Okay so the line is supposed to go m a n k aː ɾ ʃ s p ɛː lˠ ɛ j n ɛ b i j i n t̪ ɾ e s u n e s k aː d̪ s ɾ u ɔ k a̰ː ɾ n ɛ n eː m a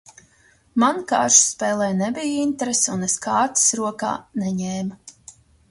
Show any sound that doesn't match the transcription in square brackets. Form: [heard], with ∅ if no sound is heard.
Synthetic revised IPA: m a n k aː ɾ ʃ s p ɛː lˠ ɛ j n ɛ b i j i n t̪ ɾ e s u n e s k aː [t̪] s ɾ u ɔ k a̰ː [∅] n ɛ [ɲ] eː m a